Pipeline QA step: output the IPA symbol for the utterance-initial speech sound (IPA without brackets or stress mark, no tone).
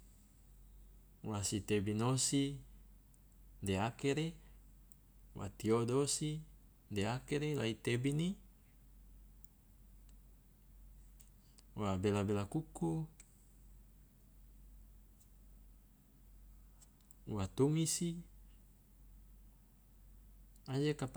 w